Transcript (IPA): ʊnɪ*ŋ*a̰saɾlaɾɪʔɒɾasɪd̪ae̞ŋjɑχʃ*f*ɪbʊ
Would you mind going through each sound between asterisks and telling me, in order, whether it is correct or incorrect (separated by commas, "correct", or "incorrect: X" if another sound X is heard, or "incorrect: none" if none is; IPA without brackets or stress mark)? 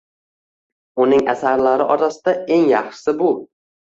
correct, incorrect: s